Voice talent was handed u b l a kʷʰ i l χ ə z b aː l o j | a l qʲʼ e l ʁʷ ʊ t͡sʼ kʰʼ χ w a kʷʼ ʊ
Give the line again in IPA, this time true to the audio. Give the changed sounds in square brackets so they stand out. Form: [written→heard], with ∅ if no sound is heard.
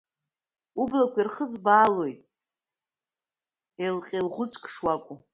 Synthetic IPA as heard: u b l a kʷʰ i [l→r] χ ə z b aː l o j | [a→e] l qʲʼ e l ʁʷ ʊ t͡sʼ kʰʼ [χ→ʂ] w a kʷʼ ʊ